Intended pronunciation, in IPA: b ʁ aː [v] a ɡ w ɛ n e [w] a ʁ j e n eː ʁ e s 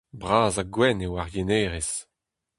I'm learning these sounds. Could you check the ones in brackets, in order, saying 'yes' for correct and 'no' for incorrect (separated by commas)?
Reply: no, yes